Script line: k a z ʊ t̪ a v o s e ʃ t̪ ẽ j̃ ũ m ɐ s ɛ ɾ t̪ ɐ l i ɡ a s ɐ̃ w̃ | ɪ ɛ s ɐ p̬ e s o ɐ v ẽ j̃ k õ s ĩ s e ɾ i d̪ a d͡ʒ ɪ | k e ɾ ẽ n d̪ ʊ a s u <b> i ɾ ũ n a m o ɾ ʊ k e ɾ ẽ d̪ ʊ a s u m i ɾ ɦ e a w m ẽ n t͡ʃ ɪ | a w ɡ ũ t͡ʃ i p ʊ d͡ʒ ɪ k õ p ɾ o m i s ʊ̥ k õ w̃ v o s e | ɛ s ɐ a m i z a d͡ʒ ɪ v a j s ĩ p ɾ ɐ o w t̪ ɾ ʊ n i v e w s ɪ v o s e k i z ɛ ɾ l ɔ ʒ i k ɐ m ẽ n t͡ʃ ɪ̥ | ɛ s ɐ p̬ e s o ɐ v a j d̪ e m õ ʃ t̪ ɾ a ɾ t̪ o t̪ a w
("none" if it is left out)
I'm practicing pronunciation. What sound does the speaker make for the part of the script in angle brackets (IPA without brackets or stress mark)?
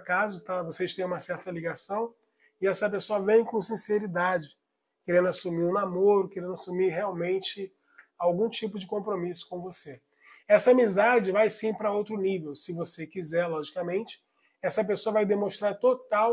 m